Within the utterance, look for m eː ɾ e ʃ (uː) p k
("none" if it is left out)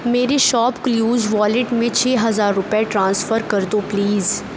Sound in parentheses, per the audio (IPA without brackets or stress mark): ɔː